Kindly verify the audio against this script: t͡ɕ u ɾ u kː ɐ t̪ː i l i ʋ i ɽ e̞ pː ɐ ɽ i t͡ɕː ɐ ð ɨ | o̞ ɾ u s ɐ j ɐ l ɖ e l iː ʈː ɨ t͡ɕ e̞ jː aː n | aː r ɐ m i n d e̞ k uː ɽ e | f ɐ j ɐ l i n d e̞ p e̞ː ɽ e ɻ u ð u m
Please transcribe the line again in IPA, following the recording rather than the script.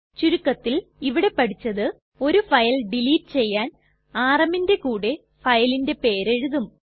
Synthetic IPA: t͡ɕ u ɾ u kː ɐ t̪ː i l i ʋ i ɽ e̞ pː ɐ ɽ i t͡ɕː ɐ ð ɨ | o̞ ɾ u f ɐ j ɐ l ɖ i l iː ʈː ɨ t͡ɕ e̞ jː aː n | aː r ɐ m i n d e̞ k uː ɽ e | f ɐ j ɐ l i n d e̞ p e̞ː ɾ e ɻ u ð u m

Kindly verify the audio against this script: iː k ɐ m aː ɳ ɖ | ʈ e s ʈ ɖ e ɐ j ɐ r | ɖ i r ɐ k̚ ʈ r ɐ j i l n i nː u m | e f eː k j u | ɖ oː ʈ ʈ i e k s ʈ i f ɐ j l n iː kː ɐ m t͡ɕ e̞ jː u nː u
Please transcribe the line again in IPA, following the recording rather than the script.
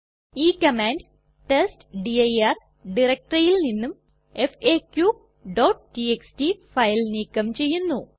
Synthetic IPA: iː k ɐ m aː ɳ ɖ | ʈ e s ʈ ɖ i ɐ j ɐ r | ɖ i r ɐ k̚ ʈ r ɐ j i l n i nː u m | e f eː k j u | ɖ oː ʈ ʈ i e k s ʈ i f ɐ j l n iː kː ɐ m t͡ɕ e̞ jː u nː u

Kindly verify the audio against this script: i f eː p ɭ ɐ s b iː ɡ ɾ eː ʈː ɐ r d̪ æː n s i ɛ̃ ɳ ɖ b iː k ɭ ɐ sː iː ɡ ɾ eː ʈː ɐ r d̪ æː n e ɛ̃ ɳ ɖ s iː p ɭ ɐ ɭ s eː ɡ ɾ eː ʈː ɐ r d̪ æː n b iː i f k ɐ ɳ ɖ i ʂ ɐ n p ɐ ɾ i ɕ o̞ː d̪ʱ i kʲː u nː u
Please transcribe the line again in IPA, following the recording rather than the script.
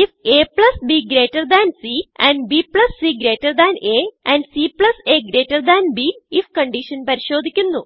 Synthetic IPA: i f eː p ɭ ɐ s b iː ɡ ɾ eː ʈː ɐ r d̪ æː n s i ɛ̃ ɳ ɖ b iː p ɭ ɐ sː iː ɡ ɾ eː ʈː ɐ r d̪ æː n e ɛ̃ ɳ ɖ s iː p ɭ ɐ s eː ɡ ɾ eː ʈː ɐ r d̪ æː n b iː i f k ɐ ɳ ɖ i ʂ ɐ n p ɐ ɾ i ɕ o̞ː d̪ʱ i kʲː u nː u

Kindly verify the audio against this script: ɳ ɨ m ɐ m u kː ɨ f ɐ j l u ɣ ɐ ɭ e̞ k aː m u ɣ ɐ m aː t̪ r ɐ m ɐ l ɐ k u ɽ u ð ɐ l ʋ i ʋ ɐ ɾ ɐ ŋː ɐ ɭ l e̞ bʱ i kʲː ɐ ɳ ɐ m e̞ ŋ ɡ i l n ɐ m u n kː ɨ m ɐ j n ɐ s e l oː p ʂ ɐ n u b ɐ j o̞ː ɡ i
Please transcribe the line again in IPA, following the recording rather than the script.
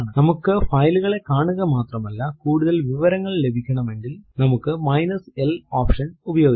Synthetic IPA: ɳ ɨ n ɐ m u kː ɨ f ɐ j l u ɣ ɐ ɭ e̞ k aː ɳ u ɣ ɐ m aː t̪ r ɐ m ɐ lː ɐ k uː ɽ u ð ɐ l ʋ i ʋ ɐ ɾ ɐ ŋː ɐ ɭ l e̞ bʱ i kʲː ɐ ɳ ɐ m e̞ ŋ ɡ i l n ɐ m u kː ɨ m ɐ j n ɐ s e l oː p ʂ ɐ n u b ɐ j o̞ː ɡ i

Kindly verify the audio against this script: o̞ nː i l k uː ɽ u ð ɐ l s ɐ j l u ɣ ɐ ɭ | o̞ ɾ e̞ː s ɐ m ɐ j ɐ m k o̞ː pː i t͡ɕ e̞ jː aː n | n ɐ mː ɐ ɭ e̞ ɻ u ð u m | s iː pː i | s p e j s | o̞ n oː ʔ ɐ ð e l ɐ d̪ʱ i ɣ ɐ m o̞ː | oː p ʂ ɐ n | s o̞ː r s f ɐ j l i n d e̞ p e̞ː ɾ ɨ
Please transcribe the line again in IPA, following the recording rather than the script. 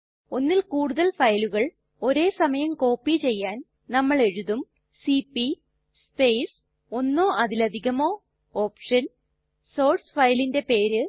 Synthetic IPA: o̞ nː i l k uː ɽ u ð ɐ l f ɐ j l u ɣ ɐ ɭ | o̞ ɾ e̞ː s ɐ m ɐ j ɐ m k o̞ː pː i t͡ɕ e̞ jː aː n | n ɐ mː ɐ ɭ e̞ ɻ u ð u m | s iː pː i | s p e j s | o̞ nː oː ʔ ɐ ð i l ɐ d̪ʱ i ɣ ɐ m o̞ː | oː p ʂ ɐ n | s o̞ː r s f ɐ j l i n d e̞ p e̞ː ɾ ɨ

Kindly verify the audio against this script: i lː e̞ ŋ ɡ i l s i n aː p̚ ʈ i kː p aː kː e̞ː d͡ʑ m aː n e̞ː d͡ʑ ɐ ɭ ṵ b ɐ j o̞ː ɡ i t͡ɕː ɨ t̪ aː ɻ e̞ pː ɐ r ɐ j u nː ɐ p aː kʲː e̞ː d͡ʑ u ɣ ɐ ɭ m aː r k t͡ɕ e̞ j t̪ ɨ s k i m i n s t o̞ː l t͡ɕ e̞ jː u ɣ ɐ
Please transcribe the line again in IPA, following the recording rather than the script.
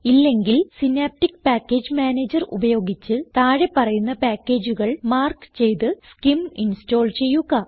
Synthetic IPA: i lː e̞ ŋ ɡ i l s i n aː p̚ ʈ i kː p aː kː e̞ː d͡ʑ m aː n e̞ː d͡ʑ ɐ r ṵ b ɐ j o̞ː ɡ i t͡ɕː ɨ t̪ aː ɻ e̞ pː ɐ r ɐ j u nː ɐ p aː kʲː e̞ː d͡ʑ u ɣ ɐ ɭ m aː r k t͡ɕ e̞ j t̪ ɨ s k i m i n s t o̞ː l t͡ɕ e̞ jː u ɣ ɐ

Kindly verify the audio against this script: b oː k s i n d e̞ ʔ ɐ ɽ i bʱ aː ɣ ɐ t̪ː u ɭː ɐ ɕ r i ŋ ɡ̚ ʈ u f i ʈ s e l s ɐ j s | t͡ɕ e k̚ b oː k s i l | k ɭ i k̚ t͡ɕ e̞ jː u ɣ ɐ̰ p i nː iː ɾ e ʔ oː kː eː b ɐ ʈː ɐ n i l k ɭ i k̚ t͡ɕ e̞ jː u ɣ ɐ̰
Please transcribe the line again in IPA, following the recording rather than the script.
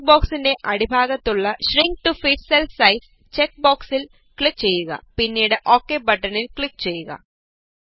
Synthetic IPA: b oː k s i n d e̞ ʔ ɐ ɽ i bʱ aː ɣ ɐ t̪ː u ɭː ɐ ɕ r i ŋ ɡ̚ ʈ u f i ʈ s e l s ɐ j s | t͡ɕ e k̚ b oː k s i l | k ɭ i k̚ t͡ɕ e̞ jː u ɣ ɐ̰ p i nː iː ɽ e ʔ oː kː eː b ɐ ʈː ɐ n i l k ɭ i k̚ t͡ɕ e̞ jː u ɣ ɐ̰

